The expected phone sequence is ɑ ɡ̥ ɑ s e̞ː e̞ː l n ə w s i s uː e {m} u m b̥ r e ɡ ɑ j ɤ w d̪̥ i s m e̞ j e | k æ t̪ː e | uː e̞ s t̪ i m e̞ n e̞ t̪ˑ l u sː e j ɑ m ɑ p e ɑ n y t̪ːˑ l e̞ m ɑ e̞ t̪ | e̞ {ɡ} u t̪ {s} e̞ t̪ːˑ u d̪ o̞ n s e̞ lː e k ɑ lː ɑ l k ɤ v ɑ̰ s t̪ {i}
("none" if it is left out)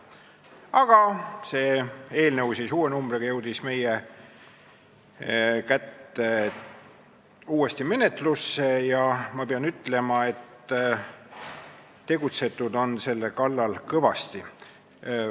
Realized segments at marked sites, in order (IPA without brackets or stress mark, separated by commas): n, ɡ, s, i